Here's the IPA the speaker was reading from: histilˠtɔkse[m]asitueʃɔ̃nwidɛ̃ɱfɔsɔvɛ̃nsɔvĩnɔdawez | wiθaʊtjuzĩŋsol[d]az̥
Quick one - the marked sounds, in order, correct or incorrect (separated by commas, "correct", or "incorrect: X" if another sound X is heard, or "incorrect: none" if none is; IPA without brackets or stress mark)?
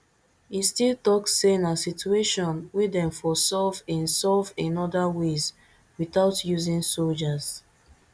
incorrect: n, incorrect: d͡ʒ